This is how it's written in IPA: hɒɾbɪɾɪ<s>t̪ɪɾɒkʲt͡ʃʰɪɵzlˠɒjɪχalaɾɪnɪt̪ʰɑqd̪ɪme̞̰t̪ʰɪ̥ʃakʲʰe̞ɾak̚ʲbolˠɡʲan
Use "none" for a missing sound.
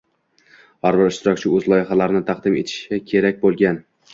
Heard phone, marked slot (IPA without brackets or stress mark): ʃ